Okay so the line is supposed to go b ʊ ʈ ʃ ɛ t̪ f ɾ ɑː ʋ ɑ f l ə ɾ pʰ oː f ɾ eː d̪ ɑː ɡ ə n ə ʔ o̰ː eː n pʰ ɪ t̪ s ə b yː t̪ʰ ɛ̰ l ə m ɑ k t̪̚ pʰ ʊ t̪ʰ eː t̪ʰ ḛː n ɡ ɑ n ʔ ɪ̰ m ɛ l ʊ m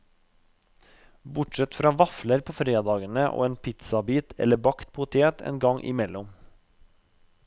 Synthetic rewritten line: b ʊ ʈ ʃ ɛ t̪ f ɾ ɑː ʋ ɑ f l ə ɾ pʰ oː f ɾ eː d̪ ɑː ɡ ə n ə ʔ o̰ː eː n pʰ ɪ t̪ s ɑ b iː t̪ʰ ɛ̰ l ə b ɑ k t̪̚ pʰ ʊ t̪ʰ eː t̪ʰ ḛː n ɡ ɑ ŋ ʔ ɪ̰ m ɛ l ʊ m